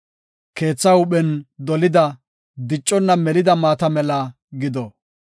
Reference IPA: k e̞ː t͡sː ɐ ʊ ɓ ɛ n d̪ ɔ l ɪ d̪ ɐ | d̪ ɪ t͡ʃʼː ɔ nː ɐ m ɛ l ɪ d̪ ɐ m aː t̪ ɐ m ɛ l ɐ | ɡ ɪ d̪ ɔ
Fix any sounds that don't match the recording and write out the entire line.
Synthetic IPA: k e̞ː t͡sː ɐ ʊ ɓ ɛ n d̪ ɔ l ɪ d̪ ɐ | d̪ ɪ t͡ʃʼː ɔ nː ɐ m ɛ l ɪ d̪ ɐ m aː t̪ ɐ m ɛ l ɐ | ɡ ɪ d̪ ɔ